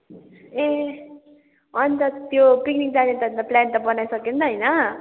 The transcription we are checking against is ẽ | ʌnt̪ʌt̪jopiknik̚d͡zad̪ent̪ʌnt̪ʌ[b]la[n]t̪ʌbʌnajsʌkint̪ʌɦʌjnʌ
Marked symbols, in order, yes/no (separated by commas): no, yes